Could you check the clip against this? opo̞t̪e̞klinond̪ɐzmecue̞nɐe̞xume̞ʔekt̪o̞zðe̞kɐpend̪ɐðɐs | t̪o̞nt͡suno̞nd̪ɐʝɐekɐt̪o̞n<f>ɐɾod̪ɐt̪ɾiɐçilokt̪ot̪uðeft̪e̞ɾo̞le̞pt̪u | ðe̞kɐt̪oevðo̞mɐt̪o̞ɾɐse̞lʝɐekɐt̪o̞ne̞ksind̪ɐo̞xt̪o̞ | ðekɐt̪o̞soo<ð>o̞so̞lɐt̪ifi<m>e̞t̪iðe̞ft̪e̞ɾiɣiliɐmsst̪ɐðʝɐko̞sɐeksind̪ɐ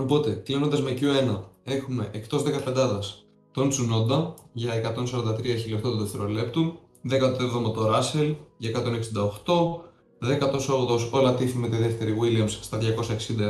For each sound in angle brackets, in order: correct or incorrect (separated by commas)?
incorrect, correct, correct